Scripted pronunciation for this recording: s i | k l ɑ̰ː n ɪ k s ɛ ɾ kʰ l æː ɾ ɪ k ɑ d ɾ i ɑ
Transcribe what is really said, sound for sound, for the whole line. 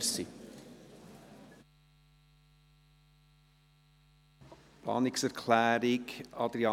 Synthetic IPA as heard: s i | p l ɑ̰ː n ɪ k s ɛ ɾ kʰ l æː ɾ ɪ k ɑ d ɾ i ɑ